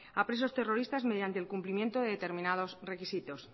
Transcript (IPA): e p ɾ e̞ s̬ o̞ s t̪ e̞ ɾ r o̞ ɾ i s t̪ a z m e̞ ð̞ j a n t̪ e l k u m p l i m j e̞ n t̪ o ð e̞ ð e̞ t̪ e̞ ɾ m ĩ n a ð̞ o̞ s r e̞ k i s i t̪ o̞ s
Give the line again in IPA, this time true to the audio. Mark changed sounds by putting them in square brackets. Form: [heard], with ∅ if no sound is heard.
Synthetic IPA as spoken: [a] p ɾ e̞ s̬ o̞ s t̪ e̞ [∅] r o̞ ɾ i s t̪ a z m e̞ ð̞ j a n t̪ e l k u m p l i m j e̞ n t̪ o ð e̞ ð e̞ t̪ e̞ ɾ m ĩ n a ð̞ o̞ s r e̞ k i s i t̪ o̞ s